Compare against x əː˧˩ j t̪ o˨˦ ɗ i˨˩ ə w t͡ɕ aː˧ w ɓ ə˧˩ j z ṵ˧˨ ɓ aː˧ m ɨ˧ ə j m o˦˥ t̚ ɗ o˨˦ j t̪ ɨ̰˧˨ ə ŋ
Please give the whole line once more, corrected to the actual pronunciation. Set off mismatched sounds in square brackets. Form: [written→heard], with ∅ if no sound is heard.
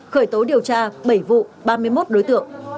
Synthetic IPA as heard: x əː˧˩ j t̪ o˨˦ ɗ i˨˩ ə w t͡ɕ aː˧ [w→∅] ɓ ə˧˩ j [z→v] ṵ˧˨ ɓ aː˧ m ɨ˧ ə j m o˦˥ t̚ ɗ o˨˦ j t̪ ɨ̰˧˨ ə ŋ